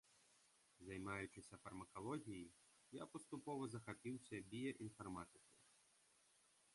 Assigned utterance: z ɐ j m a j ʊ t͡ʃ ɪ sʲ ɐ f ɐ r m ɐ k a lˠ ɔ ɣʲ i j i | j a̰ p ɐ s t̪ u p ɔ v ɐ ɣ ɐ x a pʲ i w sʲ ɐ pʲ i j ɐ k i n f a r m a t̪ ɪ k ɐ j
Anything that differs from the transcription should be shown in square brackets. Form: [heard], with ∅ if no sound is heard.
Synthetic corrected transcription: z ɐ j m a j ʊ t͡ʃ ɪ sʲ ɐ f ɐ r m ɐ k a lˠ ɔ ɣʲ i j i | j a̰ p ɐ s t̪ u p ɔ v ɐ [z] ɐ x a pʲ i w sʲ ɐ [bʲ] i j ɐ [ʔ] i n f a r m a t̪ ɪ k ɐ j

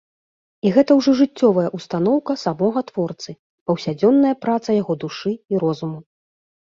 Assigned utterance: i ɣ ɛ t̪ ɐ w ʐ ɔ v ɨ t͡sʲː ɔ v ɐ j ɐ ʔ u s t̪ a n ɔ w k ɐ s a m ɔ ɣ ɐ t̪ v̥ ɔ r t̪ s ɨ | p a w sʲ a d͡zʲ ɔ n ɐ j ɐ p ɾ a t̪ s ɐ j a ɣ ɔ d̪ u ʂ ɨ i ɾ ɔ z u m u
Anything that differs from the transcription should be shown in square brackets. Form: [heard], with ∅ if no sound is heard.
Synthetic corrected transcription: i ɣ ɛ t̪ ɐ w ʐ ɔ [ʐ] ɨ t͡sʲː ɔ v ɐ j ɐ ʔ u s t̪ a n ɔ w k ɐ s a m ɔ ɣ ɐ t̪ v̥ ɔ r t̪ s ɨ | p [ɐ] w sʲ a d͡zʲ ɔ [nː] ɐ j ɐ p ɾ a t̪ s ɐ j a ɣ ɔ d̪ u ʂ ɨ i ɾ ɔ z u m u

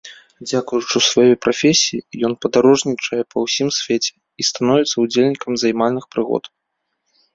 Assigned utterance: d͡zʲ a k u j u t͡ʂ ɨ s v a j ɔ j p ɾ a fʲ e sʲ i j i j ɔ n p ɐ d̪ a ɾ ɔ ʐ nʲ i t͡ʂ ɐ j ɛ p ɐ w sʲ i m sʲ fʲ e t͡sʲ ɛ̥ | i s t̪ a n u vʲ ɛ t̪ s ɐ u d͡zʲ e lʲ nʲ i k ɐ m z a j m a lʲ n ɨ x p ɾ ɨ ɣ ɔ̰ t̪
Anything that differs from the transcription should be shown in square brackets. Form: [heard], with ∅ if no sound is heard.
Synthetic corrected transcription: d͡zʲ a k u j u t͡ʂ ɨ s v a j ɔ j p ɾ a fʲ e sʲ i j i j ɔ n p ɐ d̪ a ɾ ɔ ʐ nʲ i t͡ʂ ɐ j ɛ p ɐ w sʲ i m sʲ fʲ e t͡sʲ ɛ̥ | i s t̪ a n [ɔ] vʲ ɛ t̪ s ɐ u d͡zʲ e lʲ nʲ i k ɐ m z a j m a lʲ n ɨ x p ɾ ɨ ɣ ɔ̰ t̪

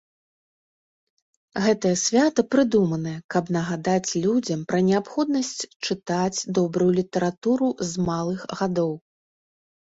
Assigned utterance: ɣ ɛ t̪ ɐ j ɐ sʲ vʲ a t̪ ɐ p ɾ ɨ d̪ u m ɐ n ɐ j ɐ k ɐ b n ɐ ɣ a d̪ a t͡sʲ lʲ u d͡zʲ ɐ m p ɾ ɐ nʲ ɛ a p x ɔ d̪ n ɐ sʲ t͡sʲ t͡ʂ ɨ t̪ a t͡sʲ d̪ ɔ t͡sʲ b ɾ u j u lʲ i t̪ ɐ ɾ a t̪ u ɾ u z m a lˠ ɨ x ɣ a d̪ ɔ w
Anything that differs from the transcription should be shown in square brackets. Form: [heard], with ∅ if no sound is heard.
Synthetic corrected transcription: ɣ ɛ t̪ ɐ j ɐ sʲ vʲ a t̪ ɐ p ɾ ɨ d̪ u m ɐ n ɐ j ɐ k ɐ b n ɐ ɣ a d̪ a t͡sʲ lʲ u d͡zʲ ɐ m p ɾ ɐ nʲ ɛ a p x ɔ d̪ n ɐ sʲ t͡sʲ t͡ʂ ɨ t̪ a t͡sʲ d̪ ɔ [∅] b ɾ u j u lʲ i t̪ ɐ ɾ a t̪ u ɾ u z m a lˠ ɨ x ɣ a d̪ ɔ w

